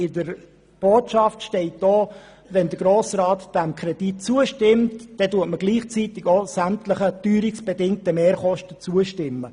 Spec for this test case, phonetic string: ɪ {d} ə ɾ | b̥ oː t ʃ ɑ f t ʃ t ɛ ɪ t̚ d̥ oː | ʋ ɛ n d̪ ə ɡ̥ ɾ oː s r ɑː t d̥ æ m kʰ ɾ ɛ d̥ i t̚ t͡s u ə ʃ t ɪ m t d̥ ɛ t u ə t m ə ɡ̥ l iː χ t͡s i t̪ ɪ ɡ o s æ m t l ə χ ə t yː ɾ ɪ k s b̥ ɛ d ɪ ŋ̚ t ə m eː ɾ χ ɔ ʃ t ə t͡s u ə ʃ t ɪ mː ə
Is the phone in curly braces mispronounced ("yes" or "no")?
no